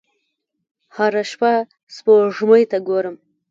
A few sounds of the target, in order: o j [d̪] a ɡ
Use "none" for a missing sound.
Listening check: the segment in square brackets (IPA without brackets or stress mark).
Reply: t̪